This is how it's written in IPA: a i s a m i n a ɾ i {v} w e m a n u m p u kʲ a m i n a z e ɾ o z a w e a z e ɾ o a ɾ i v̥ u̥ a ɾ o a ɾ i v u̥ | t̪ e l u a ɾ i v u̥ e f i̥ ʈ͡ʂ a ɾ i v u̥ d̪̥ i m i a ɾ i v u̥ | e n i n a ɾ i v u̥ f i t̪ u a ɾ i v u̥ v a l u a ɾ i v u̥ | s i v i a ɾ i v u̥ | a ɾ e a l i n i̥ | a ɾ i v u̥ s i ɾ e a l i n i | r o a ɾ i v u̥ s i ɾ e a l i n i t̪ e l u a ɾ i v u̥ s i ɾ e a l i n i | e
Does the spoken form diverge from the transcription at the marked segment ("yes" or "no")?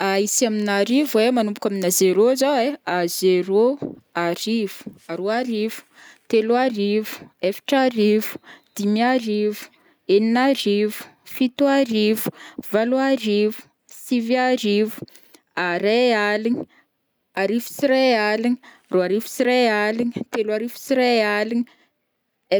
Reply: no